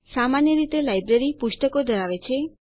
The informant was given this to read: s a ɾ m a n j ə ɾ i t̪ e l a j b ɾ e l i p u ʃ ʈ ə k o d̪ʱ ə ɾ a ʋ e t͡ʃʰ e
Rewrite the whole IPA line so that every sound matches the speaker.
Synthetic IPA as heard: s a m a n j ə ɾ i t̪ e l a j b ɾ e ɾ i p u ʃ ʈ ə k o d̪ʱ ə ɾ a ʋ e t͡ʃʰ e